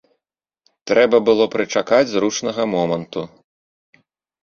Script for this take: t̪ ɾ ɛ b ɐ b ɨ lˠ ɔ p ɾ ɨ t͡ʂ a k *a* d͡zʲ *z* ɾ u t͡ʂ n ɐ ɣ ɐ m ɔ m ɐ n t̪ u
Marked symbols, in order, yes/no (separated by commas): yes, yes